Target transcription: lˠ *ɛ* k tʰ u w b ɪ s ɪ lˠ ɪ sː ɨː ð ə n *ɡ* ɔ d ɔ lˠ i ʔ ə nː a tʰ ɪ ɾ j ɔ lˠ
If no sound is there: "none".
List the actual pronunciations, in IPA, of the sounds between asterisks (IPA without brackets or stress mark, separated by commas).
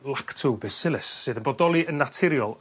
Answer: a, b